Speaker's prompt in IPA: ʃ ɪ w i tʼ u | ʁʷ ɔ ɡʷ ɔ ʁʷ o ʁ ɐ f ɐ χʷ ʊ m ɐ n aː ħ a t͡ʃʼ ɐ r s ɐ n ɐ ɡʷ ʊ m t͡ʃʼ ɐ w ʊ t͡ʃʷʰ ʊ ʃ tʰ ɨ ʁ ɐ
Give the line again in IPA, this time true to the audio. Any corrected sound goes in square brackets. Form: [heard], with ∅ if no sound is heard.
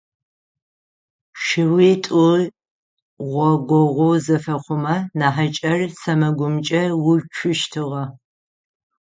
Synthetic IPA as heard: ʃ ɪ w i tʼ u | ʁʷ ɔ ɡʷ ɔ ʁʷ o [z] ɐ f ɐ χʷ ʊ m ɐ n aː ħ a t͡ʃʼ ɐ r s ɐ [m] ɐ ɡʷ ʊ m t͡ʃʼ ɐ w ʊ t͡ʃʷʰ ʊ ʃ tʰ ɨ ʁ ɐ